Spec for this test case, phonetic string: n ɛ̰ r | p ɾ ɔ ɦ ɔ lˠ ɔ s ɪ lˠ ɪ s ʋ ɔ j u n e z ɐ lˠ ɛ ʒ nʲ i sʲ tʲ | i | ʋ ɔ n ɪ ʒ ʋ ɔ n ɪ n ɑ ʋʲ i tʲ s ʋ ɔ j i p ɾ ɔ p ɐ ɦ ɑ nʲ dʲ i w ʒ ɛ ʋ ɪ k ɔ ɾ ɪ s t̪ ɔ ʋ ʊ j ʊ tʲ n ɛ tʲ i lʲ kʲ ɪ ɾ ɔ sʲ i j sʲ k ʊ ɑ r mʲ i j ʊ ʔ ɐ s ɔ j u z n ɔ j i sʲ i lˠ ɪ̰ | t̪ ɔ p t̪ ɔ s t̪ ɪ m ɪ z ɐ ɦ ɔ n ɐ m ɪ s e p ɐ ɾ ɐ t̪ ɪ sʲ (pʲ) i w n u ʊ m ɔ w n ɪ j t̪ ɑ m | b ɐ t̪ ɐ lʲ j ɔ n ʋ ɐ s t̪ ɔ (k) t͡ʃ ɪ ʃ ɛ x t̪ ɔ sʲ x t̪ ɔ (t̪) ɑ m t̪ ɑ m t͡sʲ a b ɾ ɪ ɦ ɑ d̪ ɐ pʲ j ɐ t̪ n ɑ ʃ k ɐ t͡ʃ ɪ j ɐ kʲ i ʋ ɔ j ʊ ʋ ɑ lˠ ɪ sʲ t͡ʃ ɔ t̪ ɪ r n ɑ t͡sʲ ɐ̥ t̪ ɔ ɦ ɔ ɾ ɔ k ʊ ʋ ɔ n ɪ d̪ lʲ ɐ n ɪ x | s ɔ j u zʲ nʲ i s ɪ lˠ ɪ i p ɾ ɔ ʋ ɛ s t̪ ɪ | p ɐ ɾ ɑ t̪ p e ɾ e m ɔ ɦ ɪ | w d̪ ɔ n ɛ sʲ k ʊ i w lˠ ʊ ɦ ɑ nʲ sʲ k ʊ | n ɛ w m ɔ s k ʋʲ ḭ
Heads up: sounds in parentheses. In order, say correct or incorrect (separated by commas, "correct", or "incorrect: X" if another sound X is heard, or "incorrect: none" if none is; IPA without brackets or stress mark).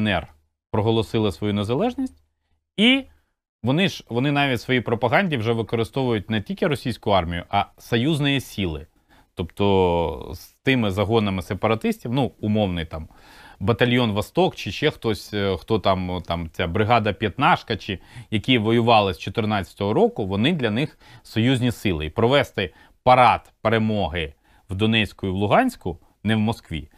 incorrect: tʲ, correct, correct